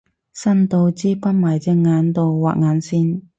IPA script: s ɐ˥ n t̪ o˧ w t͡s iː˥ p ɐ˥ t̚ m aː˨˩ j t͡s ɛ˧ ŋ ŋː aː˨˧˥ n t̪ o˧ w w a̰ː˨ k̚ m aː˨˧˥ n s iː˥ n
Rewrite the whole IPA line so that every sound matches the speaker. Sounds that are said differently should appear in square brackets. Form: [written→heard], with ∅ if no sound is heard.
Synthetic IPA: s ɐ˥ n t̪ o˧ w t͡s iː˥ p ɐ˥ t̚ m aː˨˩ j t͡s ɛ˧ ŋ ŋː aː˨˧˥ n t̪ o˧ w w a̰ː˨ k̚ [m→ŋ] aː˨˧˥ n s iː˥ n